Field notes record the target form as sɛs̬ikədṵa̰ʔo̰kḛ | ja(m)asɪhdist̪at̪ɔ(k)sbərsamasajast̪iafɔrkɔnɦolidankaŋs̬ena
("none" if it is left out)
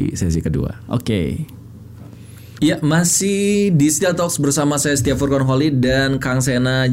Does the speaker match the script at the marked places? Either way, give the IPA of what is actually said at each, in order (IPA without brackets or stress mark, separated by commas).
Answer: m, k